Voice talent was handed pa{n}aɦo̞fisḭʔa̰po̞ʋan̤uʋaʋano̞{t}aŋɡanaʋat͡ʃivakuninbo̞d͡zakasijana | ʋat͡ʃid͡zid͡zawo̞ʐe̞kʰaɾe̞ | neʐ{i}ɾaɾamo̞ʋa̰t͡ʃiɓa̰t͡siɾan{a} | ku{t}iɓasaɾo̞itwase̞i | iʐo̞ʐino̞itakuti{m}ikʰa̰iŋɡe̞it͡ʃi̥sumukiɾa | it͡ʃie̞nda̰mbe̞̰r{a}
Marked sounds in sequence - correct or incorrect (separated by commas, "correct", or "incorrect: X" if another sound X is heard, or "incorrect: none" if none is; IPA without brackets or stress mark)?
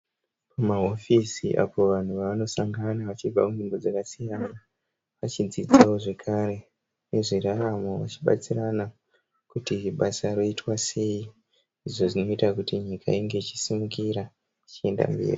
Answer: incorrect: m, incorrect: s, correct, correct, correct, incorrect: ɲ, incorrect: i